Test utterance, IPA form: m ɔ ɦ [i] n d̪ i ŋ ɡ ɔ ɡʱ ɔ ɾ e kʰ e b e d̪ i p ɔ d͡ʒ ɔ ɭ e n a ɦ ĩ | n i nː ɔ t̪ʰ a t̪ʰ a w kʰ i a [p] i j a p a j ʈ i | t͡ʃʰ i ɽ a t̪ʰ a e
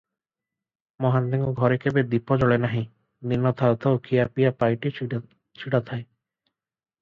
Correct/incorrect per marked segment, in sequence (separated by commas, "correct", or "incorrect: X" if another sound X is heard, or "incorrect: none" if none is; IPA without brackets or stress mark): incorrect: a, correct